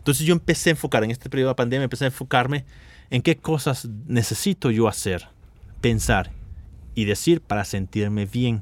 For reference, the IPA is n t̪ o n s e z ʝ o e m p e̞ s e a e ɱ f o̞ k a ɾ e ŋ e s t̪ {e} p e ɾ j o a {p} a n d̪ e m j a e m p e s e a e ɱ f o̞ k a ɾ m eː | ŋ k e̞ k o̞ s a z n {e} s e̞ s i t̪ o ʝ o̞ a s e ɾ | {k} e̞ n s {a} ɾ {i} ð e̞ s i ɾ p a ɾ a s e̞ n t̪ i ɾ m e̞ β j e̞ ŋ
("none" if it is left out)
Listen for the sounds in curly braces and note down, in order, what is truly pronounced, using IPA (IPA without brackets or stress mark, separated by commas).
e, p, e, p, a, i